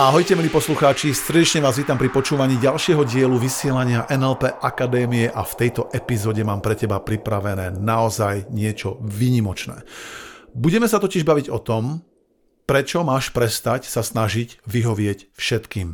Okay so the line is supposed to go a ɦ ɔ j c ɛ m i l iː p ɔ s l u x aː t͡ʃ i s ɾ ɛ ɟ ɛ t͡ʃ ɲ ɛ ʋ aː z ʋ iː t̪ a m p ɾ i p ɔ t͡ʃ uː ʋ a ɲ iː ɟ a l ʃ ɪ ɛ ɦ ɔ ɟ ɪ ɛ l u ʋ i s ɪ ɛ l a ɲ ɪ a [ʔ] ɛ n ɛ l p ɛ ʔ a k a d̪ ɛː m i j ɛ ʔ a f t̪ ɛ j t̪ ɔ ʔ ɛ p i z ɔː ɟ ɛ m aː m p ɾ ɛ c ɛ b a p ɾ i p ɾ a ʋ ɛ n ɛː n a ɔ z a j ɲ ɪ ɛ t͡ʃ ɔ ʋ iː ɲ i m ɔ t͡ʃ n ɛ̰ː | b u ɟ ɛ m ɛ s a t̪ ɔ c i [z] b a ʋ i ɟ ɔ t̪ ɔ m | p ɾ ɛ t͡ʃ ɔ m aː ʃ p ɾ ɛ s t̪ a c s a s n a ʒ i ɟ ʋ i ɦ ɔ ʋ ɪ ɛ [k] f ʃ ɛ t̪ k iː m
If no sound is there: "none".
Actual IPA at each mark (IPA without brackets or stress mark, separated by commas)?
ʔ, ʒ, c